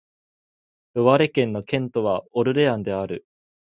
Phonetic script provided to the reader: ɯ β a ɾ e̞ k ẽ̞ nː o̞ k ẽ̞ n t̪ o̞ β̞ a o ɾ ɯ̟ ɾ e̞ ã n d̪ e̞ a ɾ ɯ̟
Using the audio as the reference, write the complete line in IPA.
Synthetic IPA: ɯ β a ɾ e̞ k ẽ̞ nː o̞ k ẽ̞ n t̪ o̞ β̞ a o ɾ ɯ̟ ɾ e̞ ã n d̪ e̞ a ɾ ɯ̟